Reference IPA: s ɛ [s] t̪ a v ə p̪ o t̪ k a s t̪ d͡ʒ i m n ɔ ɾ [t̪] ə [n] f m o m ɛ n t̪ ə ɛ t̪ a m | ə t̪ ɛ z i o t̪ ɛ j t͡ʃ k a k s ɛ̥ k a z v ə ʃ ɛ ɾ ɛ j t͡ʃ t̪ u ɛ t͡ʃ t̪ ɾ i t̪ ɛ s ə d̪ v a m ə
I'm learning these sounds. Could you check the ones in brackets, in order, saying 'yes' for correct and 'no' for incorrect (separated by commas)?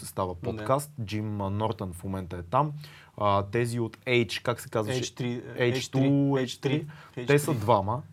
yes, yes, yes